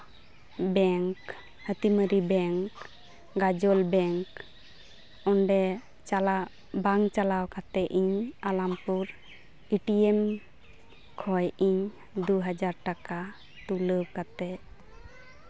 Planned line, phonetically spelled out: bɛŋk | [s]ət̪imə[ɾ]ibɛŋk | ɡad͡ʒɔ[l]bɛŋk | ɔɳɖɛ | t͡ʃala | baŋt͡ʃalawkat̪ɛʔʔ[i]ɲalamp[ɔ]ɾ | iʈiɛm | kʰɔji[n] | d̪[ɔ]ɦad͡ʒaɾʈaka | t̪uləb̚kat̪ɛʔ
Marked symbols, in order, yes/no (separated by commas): no, yes, yes, yes, no, no, no